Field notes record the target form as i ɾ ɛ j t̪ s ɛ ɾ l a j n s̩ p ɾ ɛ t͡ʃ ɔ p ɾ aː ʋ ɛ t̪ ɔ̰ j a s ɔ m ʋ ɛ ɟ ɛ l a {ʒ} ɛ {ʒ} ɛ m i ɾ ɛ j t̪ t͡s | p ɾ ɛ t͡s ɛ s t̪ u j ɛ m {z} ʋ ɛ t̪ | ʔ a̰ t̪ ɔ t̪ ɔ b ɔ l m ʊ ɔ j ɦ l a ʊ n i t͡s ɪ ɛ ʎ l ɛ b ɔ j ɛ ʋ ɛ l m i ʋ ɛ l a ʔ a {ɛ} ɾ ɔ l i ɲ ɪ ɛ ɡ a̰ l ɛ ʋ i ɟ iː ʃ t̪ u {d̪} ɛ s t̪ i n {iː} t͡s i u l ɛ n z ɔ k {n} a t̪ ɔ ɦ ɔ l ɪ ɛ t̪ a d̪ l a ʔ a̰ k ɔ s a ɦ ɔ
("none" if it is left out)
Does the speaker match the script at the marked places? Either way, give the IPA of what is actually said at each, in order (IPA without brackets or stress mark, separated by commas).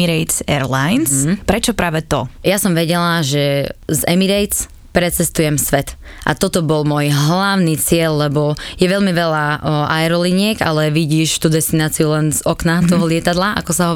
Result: ʒ, z, s, ɛ, d̪, aː, n